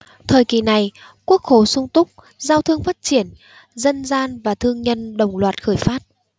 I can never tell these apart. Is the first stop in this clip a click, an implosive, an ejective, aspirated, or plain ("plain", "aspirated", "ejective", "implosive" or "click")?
aspirated